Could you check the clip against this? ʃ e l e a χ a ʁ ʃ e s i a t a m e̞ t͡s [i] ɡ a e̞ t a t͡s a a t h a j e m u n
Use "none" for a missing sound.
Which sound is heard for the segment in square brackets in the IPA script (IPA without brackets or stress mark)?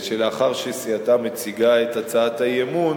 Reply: i